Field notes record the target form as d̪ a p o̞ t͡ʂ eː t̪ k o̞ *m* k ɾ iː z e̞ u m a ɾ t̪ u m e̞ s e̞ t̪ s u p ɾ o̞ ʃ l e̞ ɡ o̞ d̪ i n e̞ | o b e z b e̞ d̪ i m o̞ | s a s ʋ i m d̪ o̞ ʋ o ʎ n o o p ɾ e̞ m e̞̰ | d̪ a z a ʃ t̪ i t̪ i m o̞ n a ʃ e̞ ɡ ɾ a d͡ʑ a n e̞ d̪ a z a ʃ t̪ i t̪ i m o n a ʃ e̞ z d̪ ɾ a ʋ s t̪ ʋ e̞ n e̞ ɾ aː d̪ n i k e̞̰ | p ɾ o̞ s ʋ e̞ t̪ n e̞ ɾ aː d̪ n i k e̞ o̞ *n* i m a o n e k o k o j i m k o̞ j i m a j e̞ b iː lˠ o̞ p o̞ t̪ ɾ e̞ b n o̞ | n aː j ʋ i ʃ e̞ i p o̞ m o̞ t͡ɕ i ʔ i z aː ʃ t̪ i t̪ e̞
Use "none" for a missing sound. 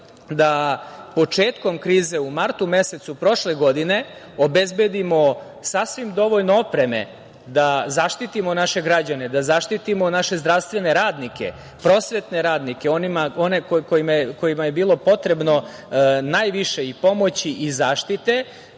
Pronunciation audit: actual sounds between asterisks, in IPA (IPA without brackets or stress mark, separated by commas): m, n